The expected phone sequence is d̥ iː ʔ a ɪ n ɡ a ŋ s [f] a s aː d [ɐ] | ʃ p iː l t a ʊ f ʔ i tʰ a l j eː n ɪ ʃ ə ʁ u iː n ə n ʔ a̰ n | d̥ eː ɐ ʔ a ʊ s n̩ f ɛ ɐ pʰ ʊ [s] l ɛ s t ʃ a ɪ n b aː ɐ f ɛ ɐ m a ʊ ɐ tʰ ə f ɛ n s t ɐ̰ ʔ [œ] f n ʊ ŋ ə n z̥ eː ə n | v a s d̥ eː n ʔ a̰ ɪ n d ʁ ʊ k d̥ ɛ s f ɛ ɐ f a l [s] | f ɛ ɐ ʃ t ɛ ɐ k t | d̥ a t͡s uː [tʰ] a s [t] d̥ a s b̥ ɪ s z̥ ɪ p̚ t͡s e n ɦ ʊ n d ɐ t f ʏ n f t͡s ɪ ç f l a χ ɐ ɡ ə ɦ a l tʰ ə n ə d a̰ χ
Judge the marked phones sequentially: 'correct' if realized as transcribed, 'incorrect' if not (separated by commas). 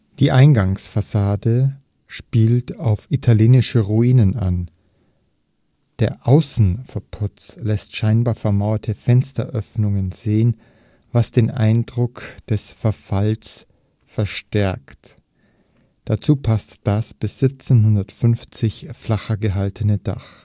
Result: correct, incorrect, incorrect, correct, correct, incorrect, correct